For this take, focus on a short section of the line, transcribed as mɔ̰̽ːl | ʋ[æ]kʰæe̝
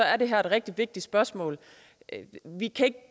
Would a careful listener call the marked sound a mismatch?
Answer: yes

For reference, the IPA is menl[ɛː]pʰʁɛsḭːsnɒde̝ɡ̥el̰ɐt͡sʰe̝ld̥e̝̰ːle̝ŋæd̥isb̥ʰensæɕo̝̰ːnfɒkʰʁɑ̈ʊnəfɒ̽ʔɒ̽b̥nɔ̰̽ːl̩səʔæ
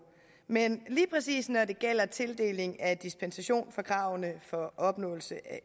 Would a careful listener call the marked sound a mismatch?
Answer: yes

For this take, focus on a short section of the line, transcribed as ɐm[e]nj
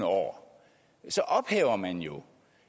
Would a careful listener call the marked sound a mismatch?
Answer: yes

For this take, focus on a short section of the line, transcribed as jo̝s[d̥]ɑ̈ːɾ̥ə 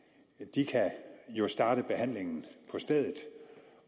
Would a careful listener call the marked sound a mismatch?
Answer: no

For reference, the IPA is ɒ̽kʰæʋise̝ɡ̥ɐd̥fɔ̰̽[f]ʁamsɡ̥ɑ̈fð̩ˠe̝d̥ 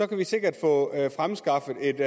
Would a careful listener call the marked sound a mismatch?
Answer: no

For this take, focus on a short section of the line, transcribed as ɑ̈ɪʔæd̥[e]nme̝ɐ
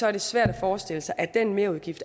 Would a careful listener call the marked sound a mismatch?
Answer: no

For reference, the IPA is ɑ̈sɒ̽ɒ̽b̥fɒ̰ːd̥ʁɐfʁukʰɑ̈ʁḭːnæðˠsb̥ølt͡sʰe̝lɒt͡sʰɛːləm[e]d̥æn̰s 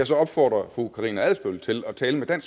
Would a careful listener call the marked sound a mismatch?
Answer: no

